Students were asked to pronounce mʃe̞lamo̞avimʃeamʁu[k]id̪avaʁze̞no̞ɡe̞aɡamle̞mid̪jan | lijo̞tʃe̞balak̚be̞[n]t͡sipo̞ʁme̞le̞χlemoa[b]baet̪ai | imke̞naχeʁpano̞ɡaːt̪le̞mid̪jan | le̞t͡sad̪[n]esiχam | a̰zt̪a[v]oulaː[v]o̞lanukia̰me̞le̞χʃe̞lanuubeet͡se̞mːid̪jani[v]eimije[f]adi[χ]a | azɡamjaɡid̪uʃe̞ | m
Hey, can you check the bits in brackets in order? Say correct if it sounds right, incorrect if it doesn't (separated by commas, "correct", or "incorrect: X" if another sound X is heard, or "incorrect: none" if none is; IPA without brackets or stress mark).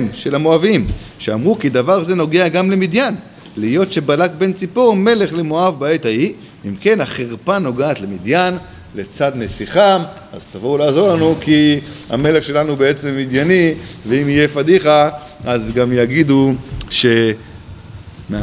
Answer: correct, correct, incorrect: v, correct, correct, incorrect: z, correct, correct, correct